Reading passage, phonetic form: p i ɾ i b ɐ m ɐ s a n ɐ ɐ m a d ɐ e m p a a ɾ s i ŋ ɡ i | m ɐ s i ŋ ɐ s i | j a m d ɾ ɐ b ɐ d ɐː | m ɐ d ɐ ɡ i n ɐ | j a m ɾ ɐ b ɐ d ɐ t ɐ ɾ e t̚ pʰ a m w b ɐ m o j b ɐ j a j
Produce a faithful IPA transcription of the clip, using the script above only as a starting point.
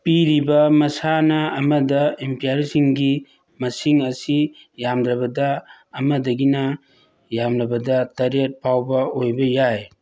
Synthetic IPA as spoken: p i ɾ i b ɐ m ɐ s a n ɐ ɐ m ɐ d ɐ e m p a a ɾ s i ŋ ɡ i | m ɐ s i ŋ ɐ s i | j a m d ɾ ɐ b ɐ d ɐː | m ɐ d ɐ ɡ i n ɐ | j a m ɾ ɐ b ɐ d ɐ t ɐ ɾ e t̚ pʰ a w b ɐ o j b ɐ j a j